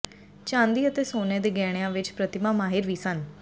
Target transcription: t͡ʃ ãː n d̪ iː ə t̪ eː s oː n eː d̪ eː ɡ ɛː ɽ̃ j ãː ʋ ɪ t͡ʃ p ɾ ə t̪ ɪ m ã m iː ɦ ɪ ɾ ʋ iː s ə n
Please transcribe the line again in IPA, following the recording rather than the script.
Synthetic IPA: t͡ʃ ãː n d̪ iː ə t̪ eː s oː n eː d̪ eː ɡ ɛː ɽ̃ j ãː ʋ ɪ t͡ʃ p ɾ ə t̪ ɪ m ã m aː ɦ ɪ ɾ ʋ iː s ə n

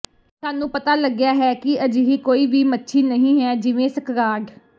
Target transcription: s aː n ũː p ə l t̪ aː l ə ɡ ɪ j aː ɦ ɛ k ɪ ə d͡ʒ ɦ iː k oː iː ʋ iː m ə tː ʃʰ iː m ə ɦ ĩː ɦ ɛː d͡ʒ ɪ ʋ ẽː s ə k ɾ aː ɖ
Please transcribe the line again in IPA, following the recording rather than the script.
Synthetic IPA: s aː n ũː p ə t̪ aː l ə ɡ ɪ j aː ɦ ɛː k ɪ ə d͡ʒ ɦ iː k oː iː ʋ iː m ə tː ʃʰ iː n ə ɦ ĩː ɦ ɛː d͡ʒ ɪ ʋ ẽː s ə k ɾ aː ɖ

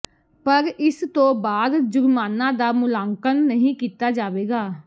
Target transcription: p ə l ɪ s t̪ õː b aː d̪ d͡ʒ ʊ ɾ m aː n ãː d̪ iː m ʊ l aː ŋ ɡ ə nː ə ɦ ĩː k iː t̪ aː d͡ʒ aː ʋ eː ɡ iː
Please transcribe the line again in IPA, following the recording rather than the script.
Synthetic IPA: p ə ɾ ɪ s t̪ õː b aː d̪ d͡ʒ ʊ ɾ m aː n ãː d̪ aː m ʊ l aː ŋ k ə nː ə ɦ ĩː k iː t̪ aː d͡ʒ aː ʋ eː ɡ aː

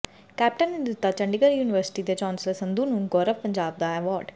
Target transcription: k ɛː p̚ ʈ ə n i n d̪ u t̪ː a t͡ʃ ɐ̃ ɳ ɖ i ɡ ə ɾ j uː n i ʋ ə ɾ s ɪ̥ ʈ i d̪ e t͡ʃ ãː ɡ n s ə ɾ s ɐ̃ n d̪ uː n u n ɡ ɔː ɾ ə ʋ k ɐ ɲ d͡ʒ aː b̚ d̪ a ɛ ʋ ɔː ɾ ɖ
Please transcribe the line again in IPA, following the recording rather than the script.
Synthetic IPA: k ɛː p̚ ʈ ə n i n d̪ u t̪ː a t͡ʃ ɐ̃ ɳ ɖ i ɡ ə ɾ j uː n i ʋ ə ɾ s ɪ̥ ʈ i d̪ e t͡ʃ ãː n s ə l s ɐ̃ n d̪ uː n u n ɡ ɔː ɾ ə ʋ p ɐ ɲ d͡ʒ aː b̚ d̪ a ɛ ʋ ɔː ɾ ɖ

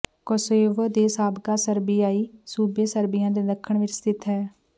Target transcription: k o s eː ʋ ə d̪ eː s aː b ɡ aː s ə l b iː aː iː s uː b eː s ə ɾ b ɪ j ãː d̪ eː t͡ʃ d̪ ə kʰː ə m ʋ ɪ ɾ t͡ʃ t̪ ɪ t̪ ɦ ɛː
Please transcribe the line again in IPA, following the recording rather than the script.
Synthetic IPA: k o s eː ʋ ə d̪ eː s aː b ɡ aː s ə ɾ b iː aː iː s uː b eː s ə ɾ b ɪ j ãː d̪ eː d̪ ə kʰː ə ɳ ʋ ɪ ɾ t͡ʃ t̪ ɪ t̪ ɦ ɛː

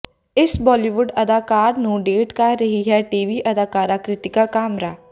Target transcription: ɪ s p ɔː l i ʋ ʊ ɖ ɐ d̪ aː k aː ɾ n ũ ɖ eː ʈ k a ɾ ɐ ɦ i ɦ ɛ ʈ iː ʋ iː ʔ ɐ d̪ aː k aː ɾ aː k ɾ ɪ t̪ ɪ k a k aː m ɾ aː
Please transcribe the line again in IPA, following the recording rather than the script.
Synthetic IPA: ɪ s b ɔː l i ʋ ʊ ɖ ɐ d̪ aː k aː ɾ n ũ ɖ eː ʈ k a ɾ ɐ ɦ i ɦ ɛ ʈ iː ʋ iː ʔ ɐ d̪ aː k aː ɾ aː k ɾ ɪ t̪ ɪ k a k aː m ɾ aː

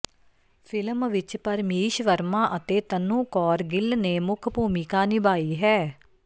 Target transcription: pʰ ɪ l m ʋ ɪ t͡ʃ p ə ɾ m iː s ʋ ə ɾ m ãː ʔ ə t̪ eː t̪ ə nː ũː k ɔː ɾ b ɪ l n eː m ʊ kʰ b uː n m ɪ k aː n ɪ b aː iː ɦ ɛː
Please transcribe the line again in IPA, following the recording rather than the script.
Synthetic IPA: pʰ ɪ l m ʋ ɪ t͡ʃ p ə ɾ m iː ʃ ʋ ə ɾ m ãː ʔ ə t̪ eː t̪ ə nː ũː k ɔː ɾ ɡ ɪ l n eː m ʊ kʰ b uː m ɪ k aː n ɪ b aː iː ɦ ɛː

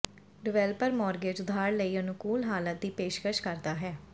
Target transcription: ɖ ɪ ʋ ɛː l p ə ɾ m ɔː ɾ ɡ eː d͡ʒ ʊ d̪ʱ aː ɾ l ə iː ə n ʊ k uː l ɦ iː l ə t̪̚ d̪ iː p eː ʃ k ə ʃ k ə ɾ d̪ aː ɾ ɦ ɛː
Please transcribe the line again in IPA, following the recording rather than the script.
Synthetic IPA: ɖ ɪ ʋ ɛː l p ə ɾ m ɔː ɾ ɡ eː d͡ʒ ʊ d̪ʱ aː ɾ l ə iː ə n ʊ k uː l ɦ aː l ə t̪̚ d̪ iː p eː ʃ k ə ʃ k ə ɾ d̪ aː ɦ ɛː

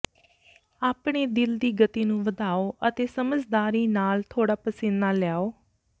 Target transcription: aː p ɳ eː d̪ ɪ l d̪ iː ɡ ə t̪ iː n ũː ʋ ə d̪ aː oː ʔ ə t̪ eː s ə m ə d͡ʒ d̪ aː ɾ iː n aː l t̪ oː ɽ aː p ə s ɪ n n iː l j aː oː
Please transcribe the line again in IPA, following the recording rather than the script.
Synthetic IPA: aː p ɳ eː d̪ ɪ l d̪ iː ɡ ə t̪ iː n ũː ʋ ə d̪ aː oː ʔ ə t̪ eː s ə m ə d͡ʒ d̪ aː ɾ iː n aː l t̪ʰ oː ɽ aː p ə s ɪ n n aː l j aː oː

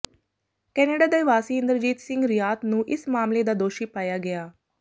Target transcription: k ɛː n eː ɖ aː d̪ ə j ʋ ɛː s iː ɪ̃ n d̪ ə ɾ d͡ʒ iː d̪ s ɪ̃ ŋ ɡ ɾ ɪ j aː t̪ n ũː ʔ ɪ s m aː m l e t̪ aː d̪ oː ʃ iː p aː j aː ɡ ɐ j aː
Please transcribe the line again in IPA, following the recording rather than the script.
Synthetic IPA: k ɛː n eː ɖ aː d̪ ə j ʋ aː s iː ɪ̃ n d̪ ə ɾ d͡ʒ iː t̪ s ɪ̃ ŋ ɡ ɾ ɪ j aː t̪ n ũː ʔ ɪ s m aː m l e d̪ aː d̪ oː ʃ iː p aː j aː ɡ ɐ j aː

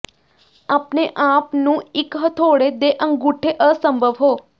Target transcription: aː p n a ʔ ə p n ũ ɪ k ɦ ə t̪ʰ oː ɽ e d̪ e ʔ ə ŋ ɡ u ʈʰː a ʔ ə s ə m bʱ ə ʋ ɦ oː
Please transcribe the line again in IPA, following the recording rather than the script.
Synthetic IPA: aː p n e ʔ a p n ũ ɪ k ɦ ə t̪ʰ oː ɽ e d̪ e ʔ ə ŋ ɡ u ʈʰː e ʔ ə s ə m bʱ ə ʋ ɦ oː

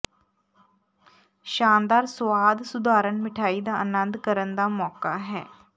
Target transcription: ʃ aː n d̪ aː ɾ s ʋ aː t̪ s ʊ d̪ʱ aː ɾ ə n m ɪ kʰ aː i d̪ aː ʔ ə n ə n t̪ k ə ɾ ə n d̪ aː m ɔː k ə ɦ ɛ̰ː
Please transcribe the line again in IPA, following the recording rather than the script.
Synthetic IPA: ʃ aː n d̪ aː ɾ s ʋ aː d̪ s ʊ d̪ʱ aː ɾ ə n m ɪ ʈʰ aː i d̪ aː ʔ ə n ə n d̪ k ə ɾ ə n d̪ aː m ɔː k a ɦ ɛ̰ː

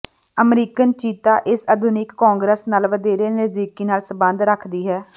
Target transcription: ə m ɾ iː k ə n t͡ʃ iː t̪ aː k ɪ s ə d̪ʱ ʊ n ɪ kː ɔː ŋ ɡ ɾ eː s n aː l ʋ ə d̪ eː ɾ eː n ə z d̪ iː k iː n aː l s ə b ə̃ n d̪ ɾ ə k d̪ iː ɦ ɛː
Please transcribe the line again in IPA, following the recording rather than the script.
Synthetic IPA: ə m ɾ iː k ə n t͡ʃ iː t̪ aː ʔ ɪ s ə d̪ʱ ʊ n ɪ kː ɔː ŋ ɡ ɾ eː s n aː l ʋ ə d̪ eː ɾ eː n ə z d̪ iː k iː n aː l s ə b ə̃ n d̪ ɾ ə kʰ d̪ iː ɦ ɛː

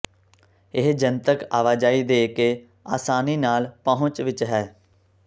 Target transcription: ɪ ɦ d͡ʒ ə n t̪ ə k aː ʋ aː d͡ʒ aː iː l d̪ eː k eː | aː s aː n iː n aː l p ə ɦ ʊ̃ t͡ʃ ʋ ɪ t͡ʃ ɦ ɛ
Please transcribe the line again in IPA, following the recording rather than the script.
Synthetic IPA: ɪ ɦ d͡ʒ ə n t̪ ə k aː ʋ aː d͡ʒ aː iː d̪ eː k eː | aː s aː n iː n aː l p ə ɦ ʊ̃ t͡ʃ ʋ ɪ t͡ʃ ɦ ɛː

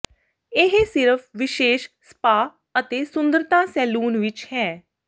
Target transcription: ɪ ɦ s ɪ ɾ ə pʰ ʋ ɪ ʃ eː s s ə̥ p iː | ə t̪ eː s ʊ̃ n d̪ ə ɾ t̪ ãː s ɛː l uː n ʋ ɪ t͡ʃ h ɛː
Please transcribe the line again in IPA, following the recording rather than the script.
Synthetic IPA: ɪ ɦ s ɪ ɾ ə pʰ ʋ ɪ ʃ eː ʃ s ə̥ p aː | ə t̪ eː s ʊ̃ n d̪ ə ɾ t̪ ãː s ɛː l uː n ʋ ɪ t͡ʃ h ɛː

